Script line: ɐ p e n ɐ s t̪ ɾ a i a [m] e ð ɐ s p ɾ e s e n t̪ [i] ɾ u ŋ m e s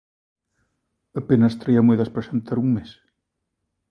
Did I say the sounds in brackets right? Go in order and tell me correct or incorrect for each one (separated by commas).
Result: correct, incorrect